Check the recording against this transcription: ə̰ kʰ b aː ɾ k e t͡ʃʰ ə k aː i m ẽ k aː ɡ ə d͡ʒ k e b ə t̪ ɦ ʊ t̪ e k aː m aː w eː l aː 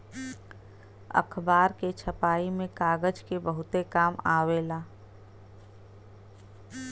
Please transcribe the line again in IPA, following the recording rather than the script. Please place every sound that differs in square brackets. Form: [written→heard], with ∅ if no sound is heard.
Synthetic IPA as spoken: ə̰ kʰ b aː ɾ k e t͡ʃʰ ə [k→p] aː i m ẽ k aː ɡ ə d͡ʒ k e b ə [t̪→∅] ɦ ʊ t̪ e k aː m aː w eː l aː